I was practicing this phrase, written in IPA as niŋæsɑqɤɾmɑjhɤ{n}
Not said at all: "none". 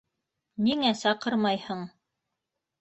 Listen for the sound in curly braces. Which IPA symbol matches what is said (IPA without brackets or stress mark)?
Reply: ɴ